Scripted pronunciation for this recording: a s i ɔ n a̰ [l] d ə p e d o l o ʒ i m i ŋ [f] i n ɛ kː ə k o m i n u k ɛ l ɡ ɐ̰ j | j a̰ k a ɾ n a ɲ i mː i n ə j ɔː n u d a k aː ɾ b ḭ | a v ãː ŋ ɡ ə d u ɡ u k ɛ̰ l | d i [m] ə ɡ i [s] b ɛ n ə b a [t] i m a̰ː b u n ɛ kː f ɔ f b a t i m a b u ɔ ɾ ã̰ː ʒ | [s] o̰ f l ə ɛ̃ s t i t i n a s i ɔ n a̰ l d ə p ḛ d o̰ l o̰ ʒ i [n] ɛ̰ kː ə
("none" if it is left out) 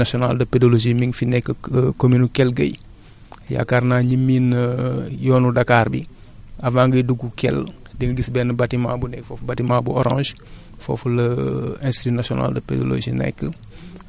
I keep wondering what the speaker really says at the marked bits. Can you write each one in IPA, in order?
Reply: l, f, ŋ, s, t, f, n

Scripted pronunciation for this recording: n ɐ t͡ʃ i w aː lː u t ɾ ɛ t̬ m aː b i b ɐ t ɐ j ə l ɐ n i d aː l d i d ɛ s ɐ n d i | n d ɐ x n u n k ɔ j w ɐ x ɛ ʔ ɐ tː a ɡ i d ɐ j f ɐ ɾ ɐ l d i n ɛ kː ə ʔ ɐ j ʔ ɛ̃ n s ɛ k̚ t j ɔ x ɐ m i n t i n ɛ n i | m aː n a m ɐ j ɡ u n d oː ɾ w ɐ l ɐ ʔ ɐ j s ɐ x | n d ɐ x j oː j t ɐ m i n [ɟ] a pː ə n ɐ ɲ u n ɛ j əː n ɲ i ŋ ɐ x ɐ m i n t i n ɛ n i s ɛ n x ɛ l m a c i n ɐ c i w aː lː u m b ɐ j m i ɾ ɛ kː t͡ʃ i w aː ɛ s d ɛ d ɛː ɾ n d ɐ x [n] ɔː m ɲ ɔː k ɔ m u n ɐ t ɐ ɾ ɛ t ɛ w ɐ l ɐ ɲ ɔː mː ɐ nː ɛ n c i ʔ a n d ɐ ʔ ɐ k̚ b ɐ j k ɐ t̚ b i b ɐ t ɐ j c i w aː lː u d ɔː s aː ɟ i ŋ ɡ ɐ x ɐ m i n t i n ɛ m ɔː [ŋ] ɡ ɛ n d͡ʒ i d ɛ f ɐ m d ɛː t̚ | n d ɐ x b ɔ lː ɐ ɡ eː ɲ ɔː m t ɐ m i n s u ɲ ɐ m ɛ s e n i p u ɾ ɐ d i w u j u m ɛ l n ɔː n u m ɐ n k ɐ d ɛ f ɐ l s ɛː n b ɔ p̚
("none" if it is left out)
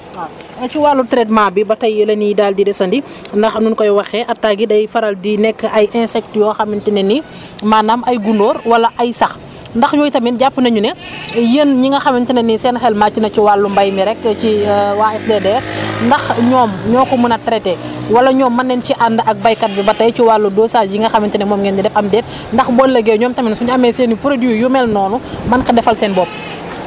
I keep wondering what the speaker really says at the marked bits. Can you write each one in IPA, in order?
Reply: ɟ, ɲ, m

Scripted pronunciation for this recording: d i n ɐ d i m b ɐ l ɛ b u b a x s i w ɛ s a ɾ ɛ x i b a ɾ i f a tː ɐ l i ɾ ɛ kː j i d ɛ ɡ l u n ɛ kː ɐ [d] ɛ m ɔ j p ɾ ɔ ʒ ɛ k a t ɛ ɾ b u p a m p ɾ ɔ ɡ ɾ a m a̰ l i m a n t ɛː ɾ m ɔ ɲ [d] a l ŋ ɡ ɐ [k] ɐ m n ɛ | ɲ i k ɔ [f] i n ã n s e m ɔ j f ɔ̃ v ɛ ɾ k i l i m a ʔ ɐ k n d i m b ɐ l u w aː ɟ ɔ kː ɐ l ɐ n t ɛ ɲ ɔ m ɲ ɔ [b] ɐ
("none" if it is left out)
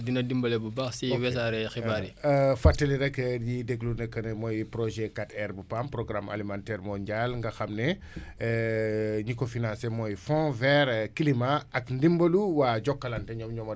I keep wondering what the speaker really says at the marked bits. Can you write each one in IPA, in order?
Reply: n, ɟ, x, f, m

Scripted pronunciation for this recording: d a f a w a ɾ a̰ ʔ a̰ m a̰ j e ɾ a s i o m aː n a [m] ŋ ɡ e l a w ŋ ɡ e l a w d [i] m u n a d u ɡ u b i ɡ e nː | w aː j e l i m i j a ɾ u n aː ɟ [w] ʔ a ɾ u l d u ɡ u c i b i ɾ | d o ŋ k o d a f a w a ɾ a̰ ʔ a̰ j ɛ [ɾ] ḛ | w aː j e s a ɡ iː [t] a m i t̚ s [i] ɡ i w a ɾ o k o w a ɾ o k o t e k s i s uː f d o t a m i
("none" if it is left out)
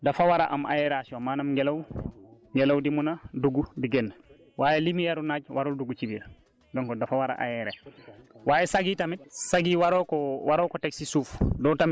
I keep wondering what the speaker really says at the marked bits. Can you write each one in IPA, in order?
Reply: m, i, w, ɾ, t, a

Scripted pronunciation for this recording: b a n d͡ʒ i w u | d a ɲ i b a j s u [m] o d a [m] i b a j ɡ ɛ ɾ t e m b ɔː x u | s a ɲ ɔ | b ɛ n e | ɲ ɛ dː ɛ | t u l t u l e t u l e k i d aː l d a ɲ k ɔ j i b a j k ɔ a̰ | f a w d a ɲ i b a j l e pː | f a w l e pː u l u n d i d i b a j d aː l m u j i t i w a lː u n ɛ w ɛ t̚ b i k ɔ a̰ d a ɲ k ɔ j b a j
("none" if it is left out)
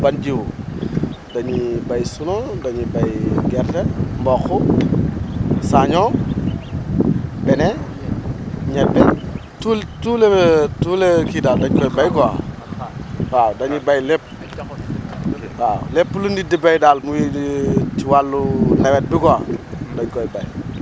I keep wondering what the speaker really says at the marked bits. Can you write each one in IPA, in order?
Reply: n, ɲ

